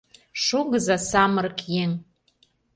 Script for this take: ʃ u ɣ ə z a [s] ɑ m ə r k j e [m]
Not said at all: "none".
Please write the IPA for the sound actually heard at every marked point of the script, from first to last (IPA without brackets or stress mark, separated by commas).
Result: s, ŋ